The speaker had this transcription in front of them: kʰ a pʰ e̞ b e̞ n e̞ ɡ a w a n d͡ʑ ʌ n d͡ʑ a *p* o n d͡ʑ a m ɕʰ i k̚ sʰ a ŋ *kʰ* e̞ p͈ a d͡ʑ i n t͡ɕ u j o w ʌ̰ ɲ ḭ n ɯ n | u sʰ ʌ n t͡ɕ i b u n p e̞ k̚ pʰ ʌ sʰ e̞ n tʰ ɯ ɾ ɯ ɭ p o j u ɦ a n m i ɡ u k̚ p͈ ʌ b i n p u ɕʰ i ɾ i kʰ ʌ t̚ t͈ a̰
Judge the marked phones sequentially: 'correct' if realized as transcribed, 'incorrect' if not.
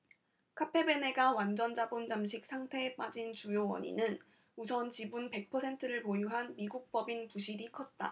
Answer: incorrect, incorrect

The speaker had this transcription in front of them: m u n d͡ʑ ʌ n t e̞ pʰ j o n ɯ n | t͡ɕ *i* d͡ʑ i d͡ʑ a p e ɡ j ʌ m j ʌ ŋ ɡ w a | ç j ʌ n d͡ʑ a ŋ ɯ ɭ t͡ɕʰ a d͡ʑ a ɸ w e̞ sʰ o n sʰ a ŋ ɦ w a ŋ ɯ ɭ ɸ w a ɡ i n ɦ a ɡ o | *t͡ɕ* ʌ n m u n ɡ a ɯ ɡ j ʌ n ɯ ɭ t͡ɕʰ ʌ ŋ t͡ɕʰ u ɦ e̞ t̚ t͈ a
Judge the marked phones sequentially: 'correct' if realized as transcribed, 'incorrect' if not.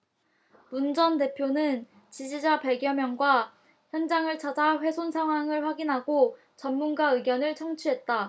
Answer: correct, correct

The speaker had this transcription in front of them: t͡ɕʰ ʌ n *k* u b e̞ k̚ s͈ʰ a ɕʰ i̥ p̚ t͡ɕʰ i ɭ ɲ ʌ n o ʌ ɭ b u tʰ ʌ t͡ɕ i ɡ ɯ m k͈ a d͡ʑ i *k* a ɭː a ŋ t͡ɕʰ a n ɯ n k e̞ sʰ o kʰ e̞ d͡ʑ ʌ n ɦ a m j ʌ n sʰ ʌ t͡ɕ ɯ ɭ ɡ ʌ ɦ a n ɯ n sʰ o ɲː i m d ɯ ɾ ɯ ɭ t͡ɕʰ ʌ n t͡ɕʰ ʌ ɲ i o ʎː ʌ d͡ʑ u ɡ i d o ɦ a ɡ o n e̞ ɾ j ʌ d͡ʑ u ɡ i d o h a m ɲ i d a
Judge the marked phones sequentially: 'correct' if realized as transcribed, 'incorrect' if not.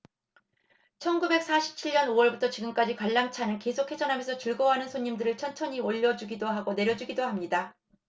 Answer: incorrect, correct

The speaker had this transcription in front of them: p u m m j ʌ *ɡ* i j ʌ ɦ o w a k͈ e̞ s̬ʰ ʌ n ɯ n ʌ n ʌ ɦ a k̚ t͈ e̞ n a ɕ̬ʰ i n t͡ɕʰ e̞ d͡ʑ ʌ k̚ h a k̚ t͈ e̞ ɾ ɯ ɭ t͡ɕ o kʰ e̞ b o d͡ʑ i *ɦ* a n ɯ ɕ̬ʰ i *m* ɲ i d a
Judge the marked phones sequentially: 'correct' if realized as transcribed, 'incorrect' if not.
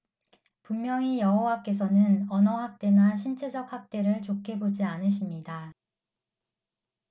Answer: incorrect, incorrect, correct

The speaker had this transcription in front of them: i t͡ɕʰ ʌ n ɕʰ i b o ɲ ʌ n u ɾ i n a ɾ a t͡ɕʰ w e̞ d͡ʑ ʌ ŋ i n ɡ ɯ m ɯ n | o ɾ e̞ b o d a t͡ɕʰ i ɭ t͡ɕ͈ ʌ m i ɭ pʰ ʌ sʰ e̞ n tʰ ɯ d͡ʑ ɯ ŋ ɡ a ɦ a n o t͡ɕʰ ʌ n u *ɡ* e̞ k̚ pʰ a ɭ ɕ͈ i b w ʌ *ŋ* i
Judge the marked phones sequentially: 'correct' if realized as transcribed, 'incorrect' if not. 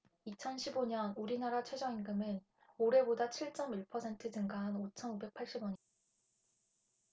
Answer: incorrect, incorrect

